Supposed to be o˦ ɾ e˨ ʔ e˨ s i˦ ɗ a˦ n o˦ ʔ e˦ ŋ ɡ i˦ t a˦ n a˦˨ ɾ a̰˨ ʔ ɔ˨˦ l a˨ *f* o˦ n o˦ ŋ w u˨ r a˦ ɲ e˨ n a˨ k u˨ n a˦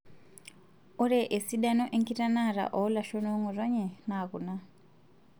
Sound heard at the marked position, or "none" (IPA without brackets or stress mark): ʃ